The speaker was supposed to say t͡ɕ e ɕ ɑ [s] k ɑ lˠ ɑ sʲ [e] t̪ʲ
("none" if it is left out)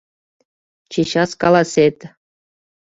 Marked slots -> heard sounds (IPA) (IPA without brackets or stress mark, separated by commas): s, e